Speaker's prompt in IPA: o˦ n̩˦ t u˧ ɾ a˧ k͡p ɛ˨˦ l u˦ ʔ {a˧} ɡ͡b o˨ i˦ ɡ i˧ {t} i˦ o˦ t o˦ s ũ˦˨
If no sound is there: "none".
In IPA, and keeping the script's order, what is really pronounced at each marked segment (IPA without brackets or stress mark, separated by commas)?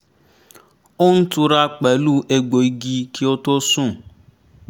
e˧, k